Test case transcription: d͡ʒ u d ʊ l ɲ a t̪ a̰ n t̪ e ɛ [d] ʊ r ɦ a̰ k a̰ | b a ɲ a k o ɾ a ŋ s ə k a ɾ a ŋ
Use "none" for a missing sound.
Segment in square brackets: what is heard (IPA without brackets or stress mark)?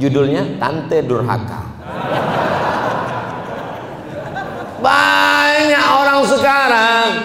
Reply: d